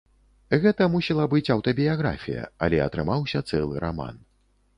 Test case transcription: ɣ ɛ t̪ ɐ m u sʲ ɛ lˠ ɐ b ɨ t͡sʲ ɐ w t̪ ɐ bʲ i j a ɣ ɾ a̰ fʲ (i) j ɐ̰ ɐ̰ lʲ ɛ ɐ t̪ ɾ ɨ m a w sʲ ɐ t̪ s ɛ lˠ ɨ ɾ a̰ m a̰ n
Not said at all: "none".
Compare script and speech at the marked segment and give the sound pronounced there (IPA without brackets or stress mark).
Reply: i